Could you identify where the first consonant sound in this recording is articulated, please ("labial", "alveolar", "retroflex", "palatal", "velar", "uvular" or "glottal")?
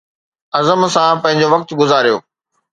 alveolar